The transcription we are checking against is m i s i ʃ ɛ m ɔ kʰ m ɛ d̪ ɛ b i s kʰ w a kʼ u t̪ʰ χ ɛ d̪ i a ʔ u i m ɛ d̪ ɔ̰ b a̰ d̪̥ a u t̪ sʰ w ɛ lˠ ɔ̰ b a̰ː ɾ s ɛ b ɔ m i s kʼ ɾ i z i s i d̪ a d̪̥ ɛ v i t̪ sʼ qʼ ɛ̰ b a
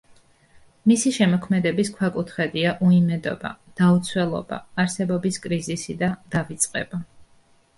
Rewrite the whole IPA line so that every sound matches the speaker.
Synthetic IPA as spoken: m i s i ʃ ɛ m ɔ kʰ m ɛ d̪ ɛ b i s kʰ w a kʼ u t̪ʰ χ ɛ d̪ i a ʔ u i m ɛ d̪ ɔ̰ b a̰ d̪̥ a u t̪ sʰ w ɛ lˠ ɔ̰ b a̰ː ɾ s ɛ b ɔ b i s kʼ ɾ i z i s i d̪ a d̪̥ a v i t̪ sʼ qʼ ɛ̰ b a